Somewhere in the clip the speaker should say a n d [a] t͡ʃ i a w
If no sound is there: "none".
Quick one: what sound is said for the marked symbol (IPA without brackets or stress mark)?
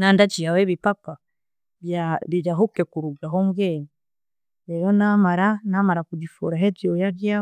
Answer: a